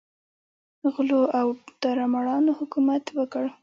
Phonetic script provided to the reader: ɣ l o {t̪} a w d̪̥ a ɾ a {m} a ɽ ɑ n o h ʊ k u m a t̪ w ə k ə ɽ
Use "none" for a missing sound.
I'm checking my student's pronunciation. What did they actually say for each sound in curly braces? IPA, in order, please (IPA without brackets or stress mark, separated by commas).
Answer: none, m